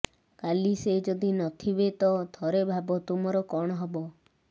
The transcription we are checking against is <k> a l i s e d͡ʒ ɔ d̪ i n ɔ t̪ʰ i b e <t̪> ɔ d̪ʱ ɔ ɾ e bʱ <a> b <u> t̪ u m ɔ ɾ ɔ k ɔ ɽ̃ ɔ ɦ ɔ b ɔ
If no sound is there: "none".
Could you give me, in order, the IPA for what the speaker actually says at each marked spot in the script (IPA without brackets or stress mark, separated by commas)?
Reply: k, t̪, a, ɔ